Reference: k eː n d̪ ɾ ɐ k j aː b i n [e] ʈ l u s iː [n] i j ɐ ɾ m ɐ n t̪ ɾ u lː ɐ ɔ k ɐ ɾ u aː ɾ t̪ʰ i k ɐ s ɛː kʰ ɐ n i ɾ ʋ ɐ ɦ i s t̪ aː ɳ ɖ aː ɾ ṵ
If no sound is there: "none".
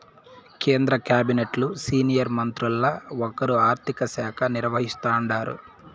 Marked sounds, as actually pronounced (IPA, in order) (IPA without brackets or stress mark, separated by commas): e, n